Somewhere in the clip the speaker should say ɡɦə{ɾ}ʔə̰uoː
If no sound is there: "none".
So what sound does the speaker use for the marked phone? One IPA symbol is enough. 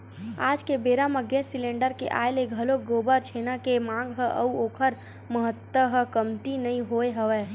none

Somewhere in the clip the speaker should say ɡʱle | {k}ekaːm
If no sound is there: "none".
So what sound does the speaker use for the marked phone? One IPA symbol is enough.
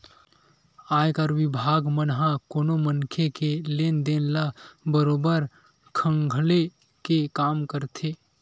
k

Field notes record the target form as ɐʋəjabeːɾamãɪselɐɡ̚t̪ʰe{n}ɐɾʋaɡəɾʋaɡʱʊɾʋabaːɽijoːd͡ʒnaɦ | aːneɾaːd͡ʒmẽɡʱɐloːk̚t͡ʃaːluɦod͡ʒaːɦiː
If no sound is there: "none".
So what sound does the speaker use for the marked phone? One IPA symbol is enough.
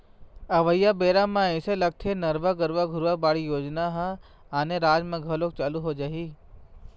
n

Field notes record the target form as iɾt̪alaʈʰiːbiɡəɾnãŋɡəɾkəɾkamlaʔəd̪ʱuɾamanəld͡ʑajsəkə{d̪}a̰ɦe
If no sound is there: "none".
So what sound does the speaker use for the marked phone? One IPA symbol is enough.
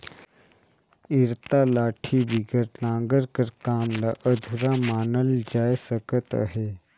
t̪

